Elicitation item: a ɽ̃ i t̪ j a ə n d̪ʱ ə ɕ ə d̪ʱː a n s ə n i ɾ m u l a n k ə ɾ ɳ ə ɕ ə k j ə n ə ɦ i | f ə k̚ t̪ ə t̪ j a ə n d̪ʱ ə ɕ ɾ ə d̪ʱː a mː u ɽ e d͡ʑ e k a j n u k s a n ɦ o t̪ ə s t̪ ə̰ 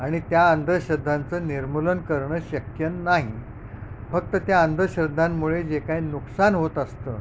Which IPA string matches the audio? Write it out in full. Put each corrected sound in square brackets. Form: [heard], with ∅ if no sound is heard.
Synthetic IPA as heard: a ɽ̃ i t̪ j a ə n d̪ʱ ə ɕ ə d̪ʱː a n [t͡s] ə n i ɾ m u l [ə] n k ə ɾ ɳ ə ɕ ə k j ə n [a] ɦ i | f ə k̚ t̪ ə t̪ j a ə n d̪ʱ ə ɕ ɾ ə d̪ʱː a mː u [ɭ] e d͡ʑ e k a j n u k s a n ɦ o t̪ ə s t̪ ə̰